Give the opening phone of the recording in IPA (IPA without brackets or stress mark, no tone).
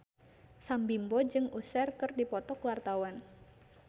s